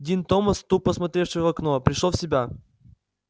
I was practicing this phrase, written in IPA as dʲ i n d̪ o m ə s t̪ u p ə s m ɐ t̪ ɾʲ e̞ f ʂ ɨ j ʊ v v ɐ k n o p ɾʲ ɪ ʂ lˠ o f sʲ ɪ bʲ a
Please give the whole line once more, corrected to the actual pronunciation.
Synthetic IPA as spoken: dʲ i n t̪ o m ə s t̪ u p ə s m ɐ t̪ ɾʲ e̞ f ʂ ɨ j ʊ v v ɐ k n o p ɾʲ ɪ ʂ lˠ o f sʲ ɪ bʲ a